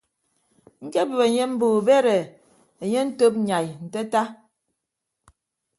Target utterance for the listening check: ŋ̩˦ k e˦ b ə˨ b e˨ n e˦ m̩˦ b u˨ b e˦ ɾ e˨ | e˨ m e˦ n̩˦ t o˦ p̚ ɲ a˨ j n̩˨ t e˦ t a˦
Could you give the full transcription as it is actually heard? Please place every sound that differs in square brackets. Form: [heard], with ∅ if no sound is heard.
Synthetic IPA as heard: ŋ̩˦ k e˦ b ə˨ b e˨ [ɲ] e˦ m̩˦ b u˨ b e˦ ɾ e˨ | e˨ [ɲ] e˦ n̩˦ t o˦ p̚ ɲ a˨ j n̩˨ t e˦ t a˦